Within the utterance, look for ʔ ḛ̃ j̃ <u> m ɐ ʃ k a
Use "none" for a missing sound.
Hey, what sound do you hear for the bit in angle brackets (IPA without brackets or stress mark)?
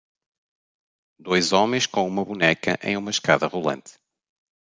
u